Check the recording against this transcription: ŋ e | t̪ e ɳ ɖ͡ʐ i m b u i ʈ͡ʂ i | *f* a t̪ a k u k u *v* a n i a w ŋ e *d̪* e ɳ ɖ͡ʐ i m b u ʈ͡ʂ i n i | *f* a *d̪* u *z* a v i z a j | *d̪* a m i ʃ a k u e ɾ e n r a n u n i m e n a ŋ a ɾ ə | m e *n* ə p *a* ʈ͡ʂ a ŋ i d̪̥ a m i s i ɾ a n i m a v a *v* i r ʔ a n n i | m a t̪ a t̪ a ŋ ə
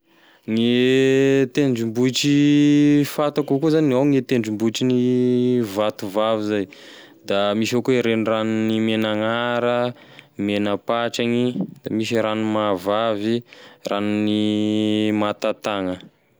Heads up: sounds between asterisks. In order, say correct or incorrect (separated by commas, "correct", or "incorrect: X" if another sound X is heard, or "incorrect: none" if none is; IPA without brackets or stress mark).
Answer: correct, incorrect: z, incorrect: t̪, incorrect: v, incorrect: t̪, incorrect: v, correct, correct, correct, correct